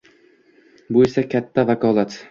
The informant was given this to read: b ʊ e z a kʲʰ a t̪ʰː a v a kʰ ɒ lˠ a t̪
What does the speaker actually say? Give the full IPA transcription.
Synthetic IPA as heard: b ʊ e s a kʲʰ a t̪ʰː a v a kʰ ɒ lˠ a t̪